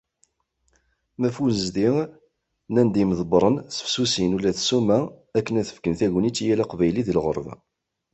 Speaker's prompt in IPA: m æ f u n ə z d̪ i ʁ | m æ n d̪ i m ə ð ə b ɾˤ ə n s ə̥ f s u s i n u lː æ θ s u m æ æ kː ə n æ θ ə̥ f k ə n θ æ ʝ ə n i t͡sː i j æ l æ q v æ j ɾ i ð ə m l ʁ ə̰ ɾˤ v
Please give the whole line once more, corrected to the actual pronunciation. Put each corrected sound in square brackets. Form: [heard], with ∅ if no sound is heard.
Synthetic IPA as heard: m æ f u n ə z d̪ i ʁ | [n] æ n d̪ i m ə ð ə b ɾˤ ə n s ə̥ f s u s i n u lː æ θ s u m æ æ kː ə n æ θ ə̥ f k ə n θ æ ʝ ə n i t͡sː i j æ l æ q v æ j [l] i ð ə [∅] l ʁ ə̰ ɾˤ v